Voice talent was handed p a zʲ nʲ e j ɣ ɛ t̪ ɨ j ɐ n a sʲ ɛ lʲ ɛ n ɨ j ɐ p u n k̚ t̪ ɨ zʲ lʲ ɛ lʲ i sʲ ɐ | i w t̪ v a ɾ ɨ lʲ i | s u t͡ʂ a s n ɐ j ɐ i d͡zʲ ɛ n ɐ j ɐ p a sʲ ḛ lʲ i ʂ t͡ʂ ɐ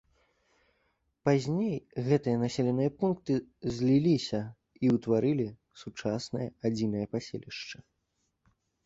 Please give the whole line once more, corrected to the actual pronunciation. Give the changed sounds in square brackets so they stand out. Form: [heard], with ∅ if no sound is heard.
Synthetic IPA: p a zʲ nʲ e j ɣ ɛ t̪ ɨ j ɐ n a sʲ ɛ lʲ ɛ n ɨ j ɐ p u n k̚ t̪ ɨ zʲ lʲ [i] lʲ i sʲ ɐ | i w t̪ v a ɾ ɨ lʲ i | s u t͡ʂ a s n ɐ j ɐ [a] d͡zʲ [i] n ɐ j ɐ p a sʲ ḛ lʲ i ʂ t͡ʂ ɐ